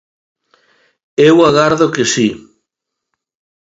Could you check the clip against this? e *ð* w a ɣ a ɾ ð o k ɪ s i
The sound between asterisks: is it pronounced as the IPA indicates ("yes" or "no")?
no